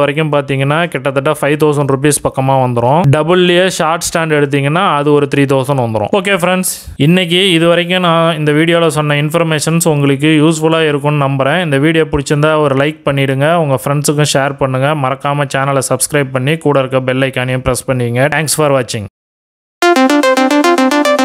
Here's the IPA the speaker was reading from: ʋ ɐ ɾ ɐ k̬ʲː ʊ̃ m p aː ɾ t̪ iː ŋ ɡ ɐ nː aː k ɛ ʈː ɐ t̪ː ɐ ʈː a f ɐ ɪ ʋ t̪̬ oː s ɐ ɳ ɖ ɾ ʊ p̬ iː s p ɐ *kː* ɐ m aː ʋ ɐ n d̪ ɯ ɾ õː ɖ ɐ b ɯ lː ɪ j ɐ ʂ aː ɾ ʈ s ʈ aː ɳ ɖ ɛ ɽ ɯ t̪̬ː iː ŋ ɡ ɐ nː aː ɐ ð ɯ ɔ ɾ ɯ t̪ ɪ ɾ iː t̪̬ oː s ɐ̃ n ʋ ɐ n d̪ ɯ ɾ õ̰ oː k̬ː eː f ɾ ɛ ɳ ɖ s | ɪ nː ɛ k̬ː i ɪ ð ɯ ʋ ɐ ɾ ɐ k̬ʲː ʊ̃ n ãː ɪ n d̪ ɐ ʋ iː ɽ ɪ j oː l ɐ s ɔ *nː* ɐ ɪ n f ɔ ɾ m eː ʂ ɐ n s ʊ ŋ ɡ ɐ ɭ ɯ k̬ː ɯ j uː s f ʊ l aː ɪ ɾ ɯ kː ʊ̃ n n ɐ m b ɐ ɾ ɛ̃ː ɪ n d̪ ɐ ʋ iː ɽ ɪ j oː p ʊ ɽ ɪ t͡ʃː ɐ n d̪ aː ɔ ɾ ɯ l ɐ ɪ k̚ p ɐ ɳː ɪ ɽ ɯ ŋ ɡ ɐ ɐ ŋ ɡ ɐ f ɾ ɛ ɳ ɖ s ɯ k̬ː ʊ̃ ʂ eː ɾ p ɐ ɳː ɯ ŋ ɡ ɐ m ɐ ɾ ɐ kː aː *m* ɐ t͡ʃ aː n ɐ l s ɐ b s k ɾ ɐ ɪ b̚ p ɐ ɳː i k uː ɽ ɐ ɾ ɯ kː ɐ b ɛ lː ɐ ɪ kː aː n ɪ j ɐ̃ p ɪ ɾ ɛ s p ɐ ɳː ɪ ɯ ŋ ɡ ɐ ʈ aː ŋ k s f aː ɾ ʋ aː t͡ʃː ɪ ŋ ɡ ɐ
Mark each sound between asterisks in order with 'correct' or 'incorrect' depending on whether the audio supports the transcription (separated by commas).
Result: correct, correct, correct